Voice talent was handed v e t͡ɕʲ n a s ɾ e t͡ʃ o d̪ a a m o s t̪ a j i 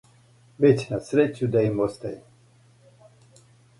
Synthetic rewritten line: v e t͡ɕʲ n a s ɾ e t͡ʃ u d̪ a i m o s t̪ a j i